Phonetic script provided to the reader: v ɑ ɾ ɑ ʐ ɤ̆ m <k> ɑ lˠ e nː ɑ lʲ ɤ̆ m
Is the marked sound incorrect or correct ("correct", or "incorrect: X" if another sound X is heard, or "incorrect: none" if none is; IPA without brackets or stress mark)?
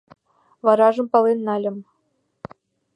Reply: incorrect: p